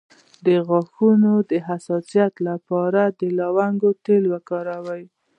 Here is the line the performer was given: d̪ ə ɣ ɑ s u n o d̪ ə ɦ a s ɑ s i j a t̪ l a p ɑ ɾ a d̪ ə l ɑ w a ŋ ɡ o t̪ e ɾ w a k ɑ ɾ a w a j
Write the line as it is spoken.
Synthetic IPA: d̪ ə ɣ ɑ x u n o d̪ ə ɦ a s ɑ s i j a t̪ l a p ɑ ɾ a d̪ ə l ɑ w a ŋ ɡ o t̪ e l w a k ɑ ɾ a w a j